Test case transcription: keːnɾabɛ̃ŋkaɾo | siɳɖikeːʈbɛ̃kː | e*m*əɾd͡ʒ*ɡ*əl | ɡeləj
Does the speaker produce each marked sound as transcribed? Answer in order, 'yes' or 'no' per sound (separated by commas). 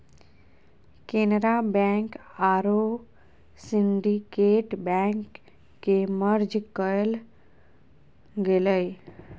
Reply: yes, no